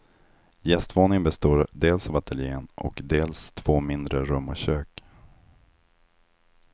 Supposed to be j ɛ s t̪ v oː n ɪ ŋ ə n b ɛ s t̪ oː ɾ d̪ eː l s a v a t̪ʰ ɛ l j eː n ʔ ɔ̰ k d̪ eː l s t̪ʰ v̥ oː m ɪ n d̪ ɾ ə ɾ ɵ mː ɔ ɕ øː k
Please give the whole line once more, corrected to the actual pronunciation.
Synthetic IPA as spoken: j ɛ s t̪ v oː n ɪ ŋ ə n b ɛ s t̪ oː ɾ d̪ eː l s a v a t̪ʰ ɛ l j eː n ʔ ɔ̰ k d̪ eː l s t̪ʰ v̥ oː m ɪ n d̪ ɾ ə ɾ ɵ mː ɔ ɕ øː k